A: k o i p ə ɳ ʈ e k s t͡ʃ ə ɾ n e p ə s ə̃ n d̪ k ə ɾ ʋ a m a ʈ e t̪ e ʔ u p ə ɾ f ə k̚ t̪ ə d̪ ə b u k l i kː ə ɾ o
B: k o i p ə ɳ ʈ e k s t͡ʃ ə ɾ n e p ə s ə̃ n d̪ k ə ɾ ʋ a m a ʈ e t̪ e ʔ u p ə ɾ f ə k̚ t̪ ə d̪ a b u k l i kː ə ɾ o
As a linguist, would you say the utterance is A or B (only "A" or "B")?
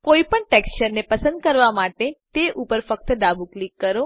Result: B